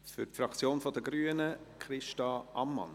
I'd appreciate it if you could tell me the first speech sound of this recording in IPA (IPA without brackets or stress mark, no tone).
f